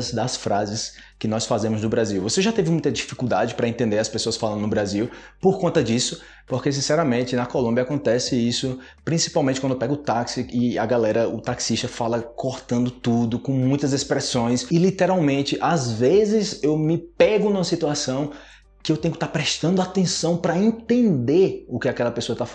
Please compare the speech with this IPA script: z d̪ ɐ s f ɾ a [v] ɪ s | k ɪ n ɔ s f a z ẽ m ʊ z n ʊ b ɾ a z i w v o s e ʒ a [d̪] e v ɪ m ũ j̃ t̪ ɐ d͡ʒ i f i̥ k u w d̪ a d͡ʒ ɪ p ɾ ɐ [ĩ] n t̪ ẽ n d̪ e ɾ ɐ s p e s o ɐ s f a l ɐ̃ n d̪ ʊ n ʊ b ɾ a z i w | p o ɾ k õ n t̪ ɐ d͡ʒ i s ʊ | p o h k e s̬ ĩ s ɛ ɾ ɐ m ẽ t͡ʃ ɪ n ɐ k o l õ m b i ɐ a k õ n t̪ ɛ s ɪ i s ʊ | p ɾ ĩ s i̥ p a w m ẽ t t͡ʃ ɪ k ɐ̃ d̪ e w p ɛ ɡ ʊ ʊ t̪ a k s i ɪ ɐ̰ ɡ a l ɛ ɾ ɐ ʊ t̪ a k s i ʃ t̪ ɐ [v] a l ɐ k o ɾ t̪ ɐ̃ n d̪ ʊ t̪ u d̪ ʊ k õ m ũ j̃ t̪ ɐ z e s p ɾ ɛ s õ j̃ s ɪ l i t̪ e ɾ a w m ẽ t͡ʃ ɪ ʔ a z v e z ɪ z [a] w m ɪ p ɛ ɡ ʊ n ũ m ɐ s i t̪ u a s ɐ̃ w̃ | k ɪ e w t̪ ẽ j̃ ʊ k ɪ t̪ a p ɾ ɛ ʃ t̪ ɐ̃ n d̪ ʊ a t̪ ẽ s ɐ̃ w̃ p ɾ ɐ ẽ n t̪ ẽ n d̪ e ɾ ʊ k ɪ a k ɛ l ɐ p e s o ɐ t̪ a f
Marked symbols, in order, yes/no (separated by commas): no, no, no, no, no